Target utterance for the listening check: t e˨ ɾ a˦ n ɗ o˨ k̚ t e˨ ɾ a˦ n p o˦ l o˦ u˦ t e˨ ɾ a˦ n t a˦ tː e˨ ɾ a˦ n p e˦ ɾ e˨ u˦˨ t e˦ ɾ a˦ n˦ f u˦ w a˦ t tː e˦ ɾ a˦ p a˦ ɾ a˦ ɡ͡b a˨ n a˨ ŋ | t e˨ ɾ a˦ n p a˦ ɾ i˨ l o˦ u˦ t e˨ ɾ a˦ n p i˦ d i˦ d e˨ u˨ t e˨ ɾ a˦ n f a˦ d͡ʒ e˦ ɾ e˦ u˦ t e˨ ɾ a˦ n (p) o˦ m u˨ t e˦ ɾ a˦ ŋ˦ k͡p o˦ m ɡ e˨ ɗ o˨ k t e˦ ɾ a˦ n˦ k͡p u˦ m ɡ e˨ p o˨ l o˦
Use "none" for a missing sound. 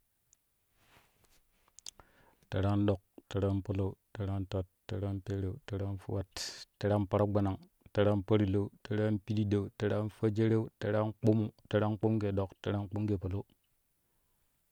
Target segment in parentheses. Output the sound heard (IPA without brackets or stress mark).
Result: k͡p